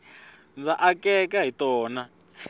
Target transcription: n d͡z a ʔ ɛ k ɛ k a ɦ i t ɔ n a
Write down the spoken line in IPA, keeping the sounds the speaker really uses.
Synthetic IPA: n d͡z a ʔ a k ɛ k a ɦ i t ɔː n a